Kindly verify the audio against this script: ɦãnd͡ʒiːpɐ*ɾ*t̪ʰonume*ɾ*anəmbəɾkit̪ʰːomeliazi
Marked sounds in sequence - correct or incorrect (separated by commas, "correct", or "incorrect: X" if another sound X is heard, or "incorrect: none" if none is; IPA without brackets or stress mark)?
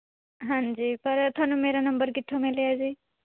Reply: correct, correct